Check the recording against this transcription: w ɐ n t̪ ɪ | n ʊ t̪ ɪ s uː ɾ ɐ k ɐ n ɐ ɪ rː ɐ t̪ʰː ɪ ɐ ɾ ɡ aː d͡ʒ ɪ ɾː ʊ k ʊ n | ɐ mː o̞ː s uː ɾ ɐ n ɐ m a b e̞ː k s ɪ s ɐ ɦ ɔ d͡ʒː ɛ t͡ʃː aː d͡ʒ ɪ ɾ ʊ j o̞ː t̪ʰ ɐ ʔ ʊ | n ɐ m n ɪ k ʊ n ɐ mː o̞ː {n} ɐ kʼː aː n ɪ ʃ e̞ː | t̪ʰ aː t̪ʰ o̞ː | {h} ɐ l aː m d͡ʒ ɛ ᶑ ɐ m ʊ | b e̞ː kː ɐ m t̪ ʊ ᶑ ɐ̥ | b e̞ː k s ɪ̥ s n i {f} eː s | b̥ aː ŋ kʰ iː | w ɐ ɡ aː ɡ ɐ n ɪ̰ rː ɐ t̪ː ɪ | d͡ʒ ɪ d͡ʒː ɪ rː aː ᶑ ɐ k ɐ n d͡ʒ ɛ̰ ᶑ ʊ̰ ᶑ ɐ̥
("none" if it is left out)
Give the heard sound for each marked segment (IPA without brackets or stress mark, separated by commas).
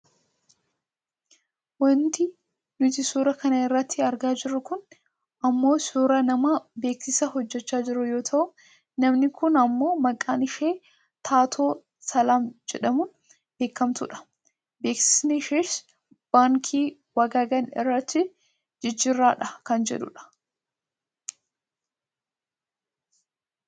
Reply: m, s, ʃ